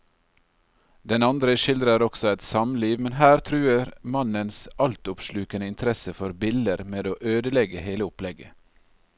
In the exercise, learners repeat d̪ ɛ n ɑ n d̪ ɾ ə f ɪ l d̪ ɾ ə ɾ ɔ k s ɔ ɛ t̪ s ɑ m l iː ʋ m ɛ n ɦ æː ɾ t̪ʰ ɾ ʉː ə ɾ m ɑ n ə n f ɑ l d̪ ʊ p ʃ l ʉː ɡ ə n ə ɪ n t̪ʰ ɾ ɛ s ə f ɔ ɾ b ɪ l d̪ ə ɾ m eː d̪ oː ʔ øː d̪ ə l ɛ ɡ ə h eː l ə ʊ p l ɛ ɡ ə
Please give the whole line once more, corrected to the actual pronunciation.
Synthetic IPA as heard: d̪ ɛ n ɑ n d̪ ɾ ə ʃ ɪ l d̪ ɾ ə ɾ ɔ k s ɔ ɛ t̪ s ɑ m l iː ʋ m ɛ n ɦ æː ɾ t̪ʰ ɾ ʉː ə ɾ m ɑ n ə n s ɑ l t̪ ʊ p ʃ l ʉː k ə n ə ɪ n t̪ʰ ɾ ɛ s ə f ɔ ɾ b ɪ l d̪ ə ɾ m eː d̪ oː ʔ øː d̪ ə l ɛ ɡ ə h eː l ə ʊ p l ɛ ɡ ə